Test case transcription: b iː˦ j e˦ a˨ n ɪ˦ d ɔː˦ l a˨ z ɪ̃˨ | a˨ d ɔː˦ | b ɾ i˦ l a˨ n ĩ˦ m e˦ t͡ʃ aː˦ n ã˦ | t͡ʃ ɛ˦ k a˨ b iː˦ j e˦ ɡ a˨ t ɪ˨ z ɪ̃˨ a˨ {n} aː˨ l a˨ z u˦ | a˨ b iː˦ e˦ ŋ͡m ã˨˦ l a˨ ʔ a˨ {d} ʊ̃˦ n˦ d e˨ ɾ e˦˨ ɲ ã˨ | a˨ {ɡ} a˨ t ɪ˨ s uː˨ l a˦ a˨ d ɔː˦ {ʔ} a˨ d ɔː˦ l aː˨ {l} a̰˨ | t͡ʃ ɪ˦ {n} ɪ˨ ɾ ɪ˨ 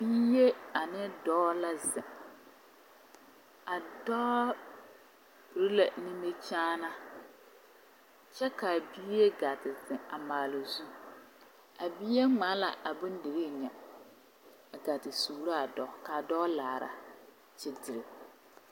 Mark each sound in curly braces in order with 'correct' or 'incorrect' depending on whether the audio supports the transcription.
incorrect, incorrect, correct, incorrect, incorrect, incorrect

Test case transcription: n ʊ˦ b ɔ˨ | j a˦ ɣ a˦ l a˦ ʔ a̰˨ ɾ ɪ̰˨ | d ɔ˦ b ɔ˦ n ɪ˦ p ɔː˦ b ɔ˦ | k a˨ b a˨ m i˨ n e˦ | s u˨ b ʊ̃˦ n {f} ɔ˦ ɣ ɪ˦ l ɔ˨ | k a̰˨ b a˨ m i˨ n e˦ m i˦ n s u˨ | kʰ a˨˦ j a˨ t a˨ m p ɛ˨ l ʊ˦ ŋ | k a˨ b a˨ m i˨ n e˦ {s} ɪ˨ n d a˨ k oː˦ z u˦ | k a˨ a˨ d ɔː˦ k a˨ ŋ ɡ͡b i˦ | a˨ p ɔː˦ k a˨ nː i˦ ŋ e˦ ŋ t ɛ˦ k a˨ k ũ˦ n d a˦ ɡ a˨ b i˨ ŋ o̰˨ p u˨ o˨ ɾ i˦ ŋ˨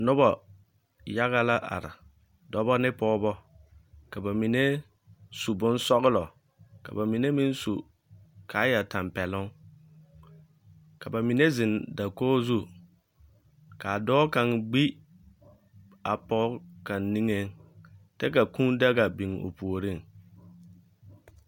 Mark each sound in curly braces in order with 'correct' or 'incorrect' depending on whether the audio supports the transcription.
incorrect, incorrect

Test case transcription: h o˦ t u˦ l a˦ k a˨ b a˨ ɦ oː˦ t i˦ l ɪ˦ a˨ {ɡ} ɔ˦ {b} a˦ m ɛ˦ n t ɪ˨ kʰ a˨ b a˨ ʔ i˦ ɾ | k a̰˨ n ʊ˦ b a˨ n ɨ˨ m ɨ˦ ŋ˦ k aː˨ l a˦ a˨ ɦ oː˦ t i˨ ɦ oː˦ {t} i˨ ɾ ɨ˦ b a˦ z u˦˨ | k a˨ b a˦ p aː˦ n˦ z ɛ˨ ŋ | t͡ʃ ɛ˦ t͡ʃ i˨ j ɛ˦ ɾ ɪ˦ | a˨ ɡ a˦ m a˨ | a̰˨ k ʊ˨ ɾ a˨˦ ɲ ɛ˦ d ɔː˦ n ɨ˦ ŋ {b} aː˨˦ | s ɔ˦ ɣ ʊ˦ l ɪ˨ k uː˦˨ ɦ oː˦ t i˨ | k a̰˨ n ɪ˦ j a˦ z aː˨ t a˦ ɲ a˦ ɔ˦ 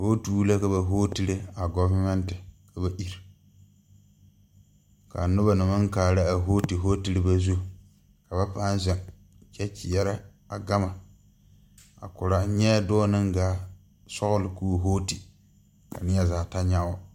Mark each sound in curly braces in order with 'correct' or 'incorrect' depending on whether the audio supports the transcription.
correct, incorrect, correct, incorrect

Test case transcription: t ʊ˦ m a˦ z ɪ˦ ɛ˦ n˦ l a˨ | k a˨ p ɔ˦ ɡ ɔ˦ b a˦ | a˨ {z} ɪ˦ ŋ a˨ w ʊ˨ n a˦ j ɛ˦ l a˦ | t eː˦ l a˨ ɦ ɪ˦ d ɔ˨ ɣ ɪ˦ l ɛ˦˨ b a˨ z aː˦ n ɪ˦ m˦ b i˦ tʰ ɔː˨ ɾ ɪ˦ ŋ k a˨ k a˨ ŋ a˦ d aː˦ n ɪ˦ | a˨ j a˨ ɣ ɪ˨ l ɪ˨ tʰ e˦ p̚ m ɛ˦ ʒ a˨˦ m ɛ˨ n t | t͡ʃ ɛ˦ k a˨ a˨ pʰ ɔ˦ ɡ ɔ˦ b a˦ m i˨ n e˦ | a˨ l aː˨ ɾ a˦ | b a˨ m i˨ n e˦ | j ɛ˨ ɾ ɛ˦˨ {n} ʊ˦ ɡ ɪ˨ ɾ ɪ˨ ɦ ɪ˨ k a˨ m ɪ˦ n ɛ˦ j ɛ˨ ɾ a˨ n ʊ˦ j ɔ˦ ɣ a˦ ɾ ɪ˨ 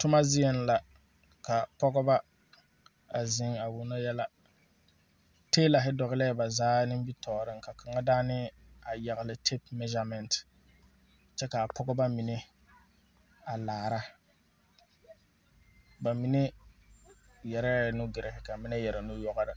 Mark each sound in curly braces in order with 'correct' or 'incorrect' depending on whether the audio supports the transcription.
correct, correct

